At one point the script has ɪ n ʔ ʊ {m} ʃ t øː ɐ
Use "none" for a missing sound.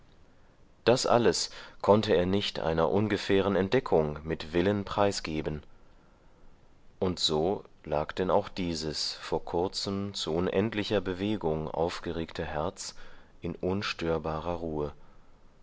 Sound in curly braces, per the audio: n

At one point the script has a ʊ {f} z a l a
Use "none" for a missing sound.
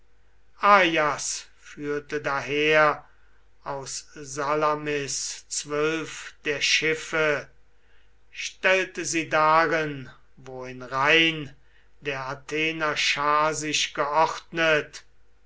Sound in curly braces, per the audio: s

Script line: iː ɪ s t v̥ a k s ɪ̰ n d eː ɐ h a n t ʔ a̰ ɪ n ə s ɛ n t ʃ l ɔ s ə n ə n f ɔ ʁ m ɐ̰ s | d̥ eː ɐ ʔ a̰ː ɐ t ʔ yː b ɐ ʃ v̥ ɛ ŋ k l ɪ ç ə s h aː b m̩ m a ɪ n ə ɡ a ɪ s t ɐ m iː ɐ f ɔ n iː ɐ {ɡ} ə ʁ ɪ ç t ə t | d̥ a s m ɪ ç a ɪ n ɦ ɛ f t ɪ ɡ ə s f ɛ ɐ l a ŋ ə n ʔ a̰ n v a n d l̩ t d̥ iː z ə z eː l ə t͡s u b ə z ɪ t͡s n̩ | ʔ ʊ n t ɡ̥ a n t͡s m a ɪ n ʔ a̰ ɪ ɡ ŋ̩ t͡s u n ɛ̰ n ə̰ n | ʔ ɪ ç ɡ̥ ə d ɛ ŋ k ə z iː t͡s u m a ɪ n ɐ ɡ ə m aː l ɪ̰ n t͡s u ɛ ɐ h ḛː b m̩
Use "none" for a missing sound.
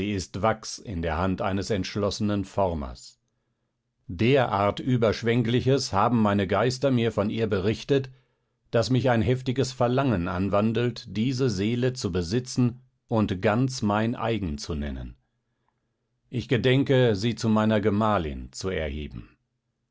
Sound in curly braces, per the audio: b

